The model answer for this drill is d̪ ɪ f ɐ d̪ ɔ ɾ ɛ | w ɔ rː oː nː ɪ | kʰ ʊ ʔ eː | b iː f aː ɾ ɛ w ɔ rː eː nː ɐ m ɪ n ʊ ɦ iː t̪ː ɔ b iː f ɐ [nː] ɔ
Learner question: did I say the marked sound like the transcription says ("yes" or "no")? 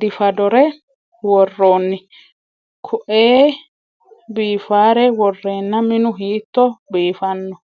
yes